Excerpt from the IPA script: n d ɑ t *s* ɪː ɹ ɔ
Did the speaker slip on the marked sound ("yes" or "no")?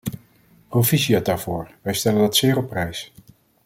no